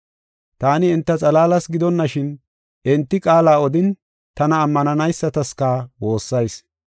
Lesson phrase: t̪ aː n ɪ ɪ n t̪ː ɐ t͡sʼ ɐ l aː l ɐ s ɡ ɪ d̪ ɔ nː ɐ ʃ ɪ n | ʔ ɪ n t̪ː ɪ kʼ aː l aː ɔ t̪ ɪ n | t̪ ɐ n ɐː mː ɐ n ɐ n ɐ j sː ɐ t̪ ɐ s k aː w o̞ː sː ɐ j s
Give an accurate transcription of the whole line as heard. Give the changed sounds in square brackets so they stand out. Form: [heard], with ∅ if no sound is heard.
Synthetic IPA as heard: t̪ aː n ɪ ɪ n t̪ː ɐ t͡sʼ ɐ l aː l ɐ s ɡ ɪ d̪ ɔ nː ɐ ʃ ɪ n | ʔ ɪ n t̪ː ɪ kʼ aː l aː ɔ [d̪] ɪ n | t̪ ɐ n ɐː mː ɐ n ɐ n ɐ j sː ɐ t̪ ɐ s k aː w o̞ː sː ɐ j s